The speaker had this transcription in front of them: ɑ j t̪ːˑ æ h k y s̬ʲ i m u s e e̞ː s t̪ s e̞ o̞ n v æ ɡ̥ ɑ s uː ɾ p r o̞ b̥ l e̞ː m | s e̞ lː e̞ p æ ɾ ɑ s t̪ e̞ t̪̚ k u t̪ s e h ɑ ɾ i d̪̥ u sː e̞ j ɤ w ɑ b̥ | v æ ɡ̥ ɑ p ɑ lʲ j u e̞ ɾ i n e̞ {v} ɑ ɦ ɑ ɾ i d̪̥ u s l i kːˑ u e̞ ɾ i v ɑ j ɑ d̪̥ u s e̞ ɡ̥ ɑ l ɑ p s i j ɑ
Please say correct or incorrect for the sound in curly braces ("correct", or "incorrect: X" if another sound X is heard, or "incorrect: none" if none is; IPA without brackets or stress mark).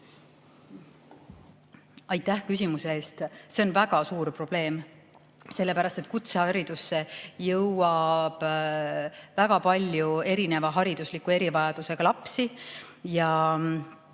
correct